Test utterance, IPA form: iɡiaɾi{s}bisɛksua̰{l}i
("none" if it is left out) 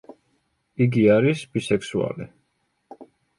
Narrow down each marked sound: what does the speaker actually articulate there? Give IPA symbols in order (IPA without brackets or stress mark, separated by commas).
s, l